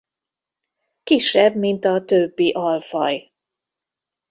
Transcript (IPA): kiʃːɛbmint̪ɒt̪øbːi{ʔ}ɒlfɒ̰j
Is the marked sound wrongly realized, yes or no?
no